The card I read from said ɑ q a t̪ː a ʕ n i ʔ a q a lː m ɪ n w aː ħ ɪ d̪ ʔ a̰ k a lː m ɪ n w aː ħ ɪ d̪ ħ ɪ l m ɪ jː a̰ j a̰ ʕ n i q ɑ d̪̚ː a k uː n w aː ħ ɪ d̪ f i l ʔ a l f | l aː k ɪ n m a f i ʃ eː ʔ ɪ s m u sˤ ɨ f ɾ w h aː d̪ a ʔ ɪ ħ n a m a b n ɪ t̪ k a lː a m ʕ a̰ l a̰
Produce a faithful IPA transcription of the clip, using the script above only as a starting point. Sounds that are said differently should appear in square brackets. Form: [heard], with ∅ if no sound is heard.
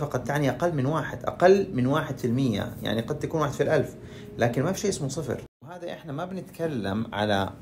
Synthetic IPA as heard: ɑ q [ɑ] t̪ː a ʕ n i ʔ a q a lː m ɪ n w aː ħ ɪ d̪ ʔ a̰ [q] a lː m ɪ n w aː ħ ɪ d̪ [f] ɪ l m ɪ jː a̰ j a̰ ʕ n i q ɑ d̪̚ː a k uː n w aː ħ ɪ d̪ f i l ʔ a l f | l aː k ɪ n m a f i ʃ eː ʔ ɪ s m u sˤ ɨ f ɾ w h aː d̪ a ʔ ɪ ħ n a m a b n ɪ t̪ k a lː a m ʕ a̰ l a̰